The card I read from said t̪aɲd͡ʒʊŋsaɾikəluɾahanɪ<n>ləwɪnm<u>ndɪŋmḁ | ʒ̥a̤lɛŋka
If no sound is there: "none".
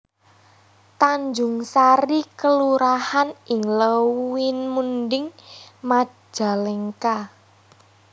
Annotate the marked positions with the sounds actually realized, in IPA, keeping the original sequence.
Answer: ŋ, u

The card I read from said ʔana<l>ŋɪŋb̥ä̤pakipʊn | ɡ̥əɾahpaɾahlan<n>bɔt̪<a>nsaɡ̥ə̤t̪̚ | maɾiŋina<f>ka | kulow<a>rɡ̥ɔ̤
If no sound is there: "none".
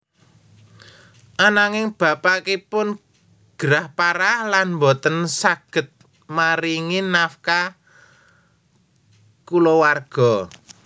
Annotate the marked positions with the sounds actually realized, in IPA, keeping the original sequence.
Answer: none, m, ə, f, a

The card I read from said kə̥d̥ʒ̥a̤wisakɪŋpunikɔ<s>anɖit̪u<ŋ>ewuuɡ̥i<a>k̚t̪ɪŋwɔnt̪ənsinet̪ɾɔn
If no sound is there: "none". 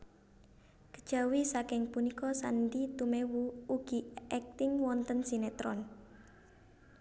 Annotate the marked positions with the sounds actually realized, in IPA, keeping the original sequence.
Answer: s, m, ɛ

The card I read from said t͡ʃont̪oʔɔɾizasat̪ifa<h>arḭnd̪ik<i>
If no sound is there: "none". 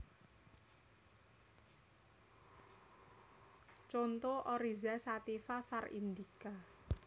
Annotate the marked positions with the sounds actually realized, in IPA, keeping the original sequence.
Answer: f, a

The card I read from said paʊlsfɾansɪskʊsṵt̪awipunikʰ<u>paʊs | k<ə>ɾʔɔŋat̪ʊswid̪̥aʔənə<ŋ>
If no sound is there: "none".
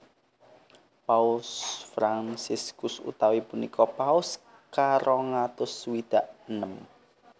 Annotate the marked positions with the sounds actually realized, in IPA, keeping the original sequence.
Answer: ɔ, a, m

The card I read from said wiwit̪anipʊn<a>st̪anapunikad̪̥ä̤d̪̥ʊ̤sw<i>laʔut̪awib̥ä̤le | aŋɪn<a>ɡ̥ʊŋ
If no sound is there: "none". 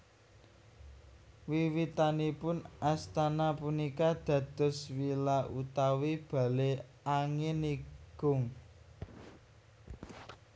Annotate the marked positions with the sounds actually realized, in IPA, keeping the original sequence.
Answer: a, i, i

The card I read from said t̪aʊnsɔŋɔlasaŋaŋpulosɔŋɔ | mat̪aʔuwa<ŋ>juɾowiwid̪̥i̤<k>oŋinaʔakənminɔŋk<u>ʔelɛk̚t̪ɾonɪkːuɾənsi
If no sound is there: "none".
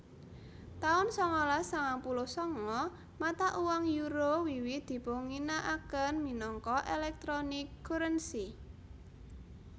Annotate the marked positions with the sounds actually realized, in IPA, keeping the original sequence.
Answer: ŋ, p, ɔ

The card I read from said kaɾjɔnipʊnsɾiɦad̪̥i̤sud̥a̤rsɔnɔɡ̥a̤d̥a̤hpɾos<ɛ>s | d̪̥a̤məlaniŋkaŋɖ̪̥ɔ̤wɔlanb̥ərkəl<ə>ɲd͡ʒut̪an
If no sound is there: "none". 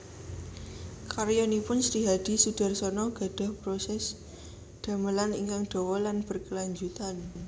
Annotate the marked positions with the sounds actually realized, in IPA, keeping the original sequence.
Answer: ɛ, a

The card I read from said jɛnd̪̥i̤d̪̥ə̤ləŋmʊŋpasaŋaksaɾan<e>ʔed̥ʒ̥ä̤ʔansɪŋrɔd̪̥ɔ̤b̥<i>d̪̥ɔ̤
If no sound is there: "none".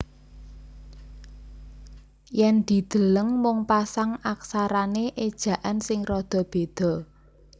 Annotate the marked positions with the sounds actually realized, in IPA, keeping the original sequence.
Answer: e, e

